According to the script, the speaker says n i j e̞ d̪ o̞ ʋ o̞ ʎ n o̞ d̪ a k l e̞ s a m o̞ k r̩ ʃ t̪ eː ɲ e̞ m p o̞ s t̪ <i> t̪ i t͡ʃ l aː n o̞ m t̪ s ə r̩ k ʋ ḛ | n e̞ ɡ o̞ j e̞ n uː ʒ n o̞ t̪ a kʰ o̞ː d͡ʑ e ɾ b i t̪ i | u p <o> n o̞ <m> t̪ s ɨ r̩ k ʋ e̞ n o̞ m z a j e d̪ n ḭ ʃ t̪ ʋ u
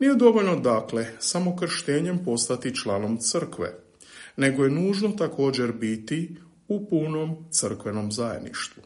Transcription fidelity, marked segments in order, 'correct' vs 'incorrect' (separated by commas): incorrect, incorrect, correct